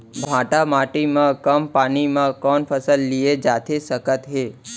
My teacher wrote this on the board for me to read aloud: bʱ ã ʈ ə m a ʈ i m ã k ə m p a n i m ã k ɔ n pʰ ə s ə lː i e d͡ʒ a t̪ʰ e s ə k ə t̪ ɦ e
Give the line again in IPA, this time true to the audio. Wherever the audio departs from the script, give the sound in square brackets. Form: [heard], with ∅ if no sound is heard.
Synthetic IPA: bʱ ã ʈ [a] m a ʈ i m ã k ə m p a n i m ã k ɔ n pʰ ə s ə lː i e d͡ʒ a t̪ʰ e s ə k ə t̪ ɦ e